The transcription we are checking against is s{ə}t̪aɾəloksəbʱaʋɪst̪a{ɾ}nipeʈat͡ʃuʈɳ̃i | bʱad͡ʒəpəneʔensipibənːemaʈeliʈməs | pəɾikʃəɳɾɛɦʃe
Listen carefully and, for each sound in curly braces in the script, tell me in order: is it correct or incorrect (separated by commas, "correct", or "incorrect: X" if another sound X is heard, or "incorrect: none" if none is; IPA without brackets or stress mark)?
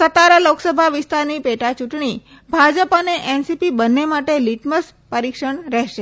correct, correct